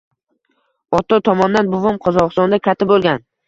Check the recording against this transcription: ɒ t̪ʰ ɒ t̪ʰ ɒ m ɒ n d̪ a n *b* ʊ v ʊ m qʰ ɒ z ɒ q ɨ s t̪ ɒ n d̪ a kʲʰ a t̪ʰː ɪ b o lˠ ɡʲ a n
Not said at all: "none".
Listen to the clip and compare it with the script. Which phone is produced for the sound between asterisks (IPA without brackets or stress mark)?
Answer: b